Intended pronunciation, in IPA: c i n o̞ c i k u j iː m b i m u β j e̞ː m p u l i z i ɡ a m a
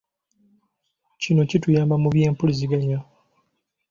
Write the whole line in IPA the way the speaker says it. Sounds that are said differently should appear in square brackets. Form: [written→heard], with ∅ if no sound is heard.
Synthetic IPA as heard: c i n o̞ c i [k→t] u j [iː→aː] m b [i→a] m u β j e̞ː m p u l i z i ɡ a [m→ɲ] a